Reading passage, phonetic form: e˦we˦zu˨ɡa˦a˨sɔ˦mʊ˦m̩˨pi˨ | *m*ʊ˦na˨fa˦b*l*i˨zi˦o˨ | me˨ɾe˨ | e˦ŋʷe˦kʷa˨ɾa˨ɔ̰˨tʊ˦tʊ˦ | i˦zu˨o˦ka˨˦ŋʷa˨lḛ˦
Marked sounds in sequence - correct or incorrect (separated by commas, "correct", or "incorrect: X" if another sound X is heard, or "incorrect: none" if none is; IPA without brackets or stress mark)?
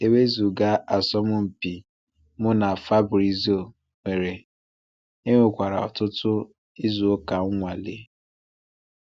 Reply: correct, incorrect: ɾ